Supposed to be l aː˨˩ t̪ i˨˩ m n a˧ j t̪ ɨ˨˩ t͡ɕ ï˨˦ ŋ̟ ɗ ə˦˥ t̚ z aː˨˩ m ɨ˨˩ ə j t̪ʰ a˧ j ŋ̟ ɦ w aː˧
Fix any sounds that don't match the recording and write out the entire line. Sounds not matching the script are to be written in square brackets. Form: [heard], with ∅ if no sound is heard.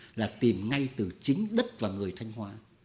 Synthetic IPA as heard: l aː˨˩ t̪ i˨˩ m [ŋ] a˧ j t̪ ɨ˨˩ t͡ɕ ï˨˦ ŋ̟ ɗ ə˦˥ t̚ [v] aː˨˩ [ŋ] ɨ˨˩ ə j t̪ʰ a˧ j ŋ̟ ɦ w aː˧